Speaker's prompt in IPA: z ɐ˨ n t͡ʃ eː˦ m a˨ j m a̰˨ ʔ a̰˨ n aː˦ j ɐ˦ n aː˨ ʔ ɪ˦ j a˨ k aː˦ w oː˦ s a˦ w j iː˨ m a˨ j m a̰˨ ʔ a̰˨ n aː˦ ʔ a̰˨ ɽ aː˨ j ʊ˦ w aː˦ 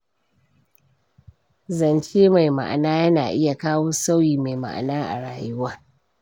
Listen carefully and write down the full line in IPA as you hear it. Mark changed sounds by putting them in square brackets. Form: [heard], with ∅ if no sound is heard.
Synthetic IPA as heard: z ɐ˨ n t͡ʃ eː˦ m a˨ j m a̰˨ ʔ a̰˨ n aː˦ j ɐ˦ n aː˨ ʔ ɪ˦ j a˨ k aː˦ w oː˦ s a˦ w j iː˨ m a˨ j m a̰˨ ʔ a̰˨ n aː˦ ʔ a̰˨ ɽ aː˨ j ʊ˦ w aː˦